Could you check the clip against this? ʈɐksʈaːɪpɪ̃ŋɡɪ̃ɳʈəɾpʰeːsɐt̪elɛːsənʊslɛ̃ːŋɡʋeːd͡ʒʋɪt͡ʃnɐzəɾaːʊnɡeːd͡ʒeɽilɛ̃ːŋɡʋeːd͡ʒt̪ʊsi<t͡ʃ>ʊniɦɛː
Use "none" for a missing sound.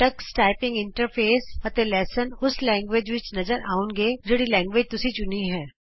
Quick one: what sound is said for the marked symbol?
t͡ʃ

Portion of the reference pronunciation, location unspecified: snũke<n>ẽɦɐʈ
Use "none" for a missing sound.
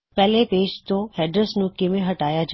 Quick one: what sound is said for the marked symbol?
m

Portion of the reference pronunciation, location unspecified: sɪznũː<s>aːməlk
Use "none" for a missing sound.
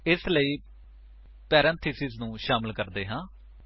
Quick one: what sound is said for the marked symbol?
ʃ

